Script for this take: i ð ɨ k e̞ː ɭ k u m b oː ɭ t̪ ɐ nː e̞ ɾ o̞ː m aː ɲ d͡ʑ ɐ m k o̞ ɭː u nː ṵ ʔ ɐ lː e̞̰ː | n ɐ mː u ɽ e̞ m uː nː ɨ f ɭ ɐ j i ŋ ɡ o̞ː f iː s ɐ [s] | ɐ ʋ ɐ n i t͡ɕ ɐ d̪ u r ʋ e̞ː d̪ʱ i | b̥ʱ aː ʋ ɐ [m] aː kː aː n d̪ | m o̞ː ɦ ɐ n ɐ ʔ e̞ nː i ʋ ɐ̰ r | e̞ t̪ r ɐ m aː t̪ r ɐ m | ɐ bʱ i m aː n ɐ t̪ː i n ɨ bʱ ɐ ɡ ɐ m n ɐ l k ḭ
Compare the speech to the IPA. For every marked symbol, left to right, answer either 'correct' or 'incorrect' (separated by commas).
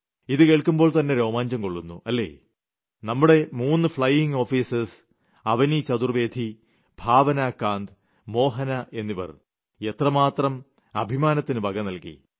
correct, incorrect